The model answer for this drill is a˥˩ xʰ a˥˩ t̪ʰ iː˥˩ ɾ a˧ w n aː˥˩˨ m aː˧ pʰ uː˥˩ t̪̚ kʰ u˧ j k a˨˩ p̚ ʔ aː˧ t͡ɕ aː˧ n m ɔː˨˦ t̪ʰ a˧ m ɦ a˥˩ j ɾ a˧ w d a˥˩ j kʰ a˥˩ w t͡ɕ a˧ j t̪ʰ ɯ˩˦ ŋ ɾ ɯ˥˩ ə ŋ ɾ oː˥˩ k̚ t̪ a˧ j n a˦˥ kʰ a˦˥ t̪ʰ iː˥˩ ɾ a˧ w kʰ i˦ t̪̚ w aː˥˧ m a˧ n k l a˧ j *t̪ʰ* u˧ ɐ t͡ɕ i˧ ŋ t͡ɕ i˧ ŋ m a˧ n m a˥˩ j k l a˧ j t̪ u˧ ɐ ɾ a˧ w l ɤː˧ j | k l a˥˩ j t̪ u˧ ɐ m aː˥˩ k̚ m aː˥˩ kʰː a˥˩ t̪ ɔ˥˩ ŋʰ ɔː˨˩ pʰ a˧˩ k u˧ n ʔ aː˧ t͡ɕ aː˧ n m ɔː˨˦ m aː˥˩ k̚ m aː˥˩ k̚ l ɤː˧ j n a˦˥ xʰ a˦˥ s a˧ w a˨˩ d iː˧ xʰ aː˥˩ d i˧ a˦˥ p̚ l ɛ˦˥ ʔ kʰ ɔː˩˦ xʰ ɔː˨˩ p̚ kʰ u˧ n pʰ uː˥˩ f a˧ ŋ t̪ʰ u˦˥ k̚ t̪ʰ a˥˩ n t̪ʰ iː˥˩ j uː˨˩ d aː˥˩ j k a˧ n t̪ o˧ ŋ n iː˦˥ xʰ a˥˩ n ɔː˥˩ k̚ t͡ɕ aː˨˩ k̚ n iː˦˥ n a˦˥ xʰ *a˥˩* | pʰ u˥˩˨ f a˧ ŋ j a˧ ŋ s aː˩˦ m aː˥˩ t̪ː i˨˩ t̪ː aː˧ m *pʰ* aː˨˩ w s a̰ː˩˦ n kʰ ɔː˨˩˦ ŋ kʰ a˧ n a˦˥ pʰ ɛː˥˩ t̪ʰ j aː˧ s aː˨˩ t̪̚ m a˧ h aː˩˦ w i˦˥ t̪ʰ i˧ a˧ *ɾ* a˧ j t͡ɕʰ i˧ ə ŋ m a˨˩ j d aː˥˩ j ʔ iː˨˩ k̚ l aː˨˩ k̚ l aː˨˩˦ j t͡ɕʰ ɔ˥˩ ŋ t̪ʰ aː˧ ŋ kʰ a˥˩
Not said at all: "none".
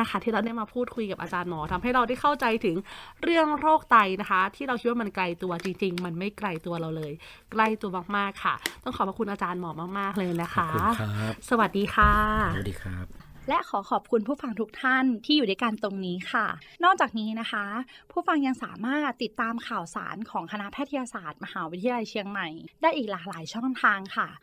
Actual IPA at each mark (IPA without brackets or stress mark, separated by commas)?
t̪, a˦˥, kʰ, l